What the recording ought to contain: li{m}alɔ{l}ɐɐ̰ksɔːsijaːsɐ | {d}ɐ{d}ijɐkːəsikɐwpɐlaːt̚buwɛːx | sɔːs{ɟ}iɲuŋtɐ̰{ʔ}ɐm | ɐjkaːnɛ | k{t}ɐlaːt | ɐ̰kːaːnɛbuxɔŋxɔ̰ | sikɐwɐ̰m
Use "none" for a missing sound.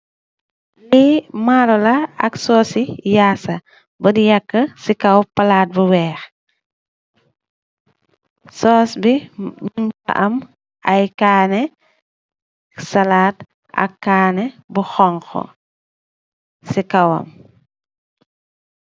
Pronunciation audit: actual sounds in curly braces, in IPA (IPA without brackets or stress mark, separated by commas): m, l, b, d, b, ʔ, s